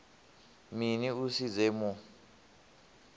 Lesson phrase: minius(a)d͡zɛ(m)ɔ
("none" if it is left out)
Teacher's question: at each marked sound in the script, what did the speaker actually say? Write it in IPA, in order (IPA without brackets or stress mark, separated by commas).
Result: i, m